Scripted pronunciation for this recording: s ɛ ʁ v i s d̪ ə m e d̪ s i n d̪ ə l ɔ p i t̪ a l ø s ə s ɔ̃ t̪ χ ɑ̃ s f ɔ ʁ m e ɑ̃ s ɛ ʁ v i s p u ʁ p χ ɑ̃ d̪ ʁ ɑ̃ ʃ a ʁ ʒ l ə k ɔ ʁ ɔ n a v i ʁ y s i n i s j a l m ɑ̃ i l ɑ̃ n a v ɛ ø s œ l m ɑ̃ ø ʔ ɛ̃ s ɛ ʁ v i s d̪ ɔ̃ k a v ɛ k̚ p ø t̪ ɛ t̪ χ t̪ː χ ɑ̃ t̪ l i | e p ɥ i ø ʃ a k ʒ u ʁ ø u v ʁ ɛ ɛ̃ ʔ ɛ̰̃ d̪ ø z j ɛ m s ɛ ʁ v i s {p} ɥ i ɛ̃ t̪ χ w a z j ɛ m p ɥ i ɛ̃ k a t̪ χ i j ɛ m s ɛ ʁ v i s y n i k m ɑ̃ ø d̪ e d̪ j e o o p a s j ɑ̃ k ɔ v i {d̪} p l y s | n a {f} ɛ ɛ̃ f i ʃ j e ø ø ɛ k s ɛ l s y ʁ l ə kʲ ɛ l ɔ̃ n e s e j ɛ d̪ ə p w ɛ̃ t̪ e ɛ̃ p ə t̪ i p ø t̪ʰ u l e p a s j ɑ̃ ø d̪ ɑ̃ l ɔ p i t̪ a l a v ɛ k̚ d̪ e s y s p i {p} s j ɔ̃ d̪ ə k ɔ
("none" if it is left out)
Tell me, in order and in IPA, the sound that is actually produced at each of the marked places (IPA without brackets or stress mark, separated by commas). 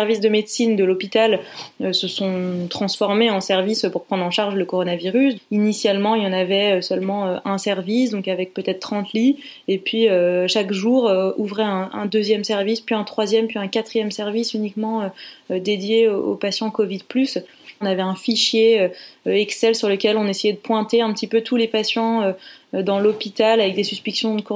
p, d̪, v, k